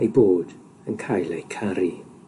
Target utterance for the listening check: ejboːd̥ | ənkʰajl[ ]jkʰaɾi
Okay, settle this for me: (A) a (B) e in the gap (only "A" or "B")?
B